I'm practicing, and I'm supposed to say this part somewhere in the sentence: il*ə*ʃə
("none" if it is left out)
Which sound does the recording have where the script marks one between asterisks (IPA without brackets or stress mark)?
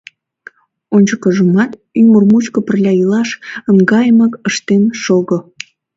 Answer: ɑ